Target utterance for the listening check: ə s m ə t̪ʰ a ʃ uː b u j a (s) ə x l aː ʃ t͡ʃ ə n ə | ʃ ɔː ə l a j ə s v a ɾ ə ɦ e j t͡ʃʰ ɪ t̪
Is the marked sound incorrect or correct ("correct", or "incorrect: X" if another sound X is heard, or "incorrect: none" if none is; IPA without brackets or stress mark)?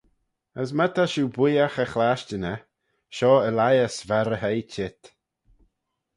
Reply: incorrect: x